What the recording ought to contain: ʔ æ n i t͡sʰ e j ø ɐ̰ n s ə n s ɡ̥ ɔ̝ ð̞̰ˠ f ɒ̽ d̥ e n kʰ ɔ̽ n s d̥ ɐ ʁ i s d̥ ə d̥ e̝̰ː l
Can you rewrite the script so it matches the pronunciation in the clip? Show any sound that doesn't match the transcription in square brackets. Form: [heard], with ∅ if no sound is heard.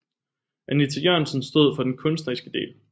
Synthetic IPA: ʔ æ n i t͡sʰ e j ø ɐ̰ n s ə n s [d̥] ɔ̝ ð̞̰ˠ f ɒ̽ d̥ e n kʰ ɔ̽ n s d̥ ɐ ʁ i s [ɡ̥] ə d̥ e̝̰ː l